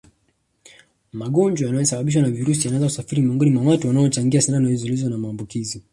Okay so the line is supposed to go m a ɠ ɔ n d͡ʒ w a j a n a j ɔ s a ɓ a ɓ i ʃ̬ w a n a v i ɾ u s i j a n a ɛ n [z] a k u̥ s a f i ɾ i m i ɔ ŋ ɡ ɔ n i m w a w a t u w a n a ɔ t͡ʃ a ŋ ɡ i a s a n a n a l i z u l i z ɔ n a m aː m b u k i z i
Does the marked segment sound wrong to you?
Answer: no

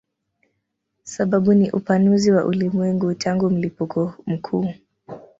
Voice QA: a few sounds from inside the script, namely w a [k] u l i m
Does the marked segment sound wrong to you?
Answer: yes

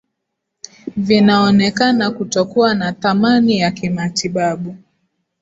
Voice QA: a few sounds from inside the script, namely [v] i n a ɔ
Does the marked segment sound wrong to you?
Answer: no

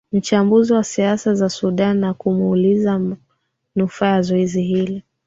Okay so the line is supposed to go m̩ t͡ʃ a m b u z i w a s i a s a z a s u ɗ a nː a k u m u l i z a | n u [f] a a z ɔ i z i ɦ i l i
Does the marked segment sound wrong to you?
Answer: no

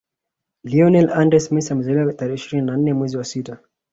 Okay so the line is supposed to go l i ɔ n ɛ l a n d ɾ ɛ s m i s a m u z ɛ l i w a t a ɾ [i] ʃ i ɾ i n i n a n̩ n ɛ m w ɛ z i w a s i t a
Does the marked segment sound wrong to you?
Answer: yes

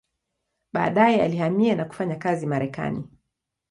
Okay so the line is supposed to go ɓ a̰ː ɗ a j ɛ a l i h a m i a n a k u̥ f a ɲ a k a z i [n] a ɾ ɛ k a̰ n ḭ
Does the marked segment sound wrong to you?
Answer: yes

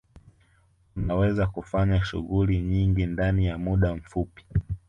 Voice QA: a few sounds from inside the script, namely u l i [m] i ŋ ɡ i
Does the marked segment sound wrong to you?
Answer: yes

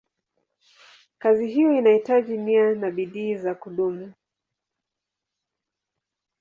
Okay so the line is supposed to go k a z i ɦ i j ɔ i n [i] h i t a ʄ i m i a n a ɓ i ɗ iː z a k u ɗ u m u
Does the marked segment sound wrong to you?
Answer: yes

